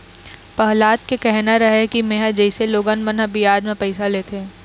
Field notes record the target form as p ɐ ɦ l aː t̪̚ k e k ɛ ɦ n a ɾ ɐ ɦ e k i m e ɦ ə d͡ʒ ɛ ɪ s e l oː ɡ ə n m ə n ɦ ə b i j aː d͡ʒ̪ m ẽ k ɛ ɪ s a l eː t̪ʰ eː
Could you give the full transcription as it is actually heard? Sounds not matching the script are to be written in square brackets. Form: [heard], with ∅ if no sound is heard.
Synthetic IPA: p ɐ ɦ l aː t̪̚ k e k ɛ ɦ n a ɾ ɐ ɦ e k i m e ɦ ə d͡ʒ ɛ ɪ s e l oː ɡ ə n m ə n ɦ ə b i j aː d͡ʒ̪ m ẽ [p] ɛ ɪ s a l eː t̪ʰ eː